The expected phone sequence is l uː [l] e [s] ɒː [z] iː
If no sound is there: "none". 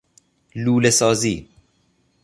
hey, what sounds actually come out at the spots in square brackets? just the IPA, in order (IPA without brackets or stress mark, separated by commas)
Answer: l, s, z